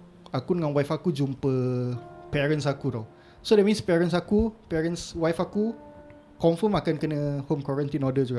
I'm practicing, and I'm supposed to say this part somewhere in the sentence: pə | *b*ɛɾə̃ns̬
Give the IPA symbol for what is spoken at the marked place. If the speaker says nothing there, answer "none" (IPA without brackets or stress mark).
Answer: p